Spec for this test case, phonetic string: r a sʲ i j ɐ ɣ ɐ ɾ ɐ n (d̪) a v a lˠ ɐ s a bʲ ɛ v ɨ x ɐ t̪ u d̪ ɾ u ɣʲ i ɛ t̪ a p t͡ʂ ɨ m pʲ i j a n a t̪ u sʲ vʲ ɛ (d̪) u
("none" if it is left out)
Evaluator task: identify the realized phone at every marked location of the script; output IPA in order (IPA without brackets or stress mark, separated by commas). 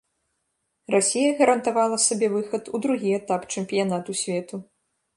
t̪, t̪